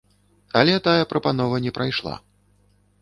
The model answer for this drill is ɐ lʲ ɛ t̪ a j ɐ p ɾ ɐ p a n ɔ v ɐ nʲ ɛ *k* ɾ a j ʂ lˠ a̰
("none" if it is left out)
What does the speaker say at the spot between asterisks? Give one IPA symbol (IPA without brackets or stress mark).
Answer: p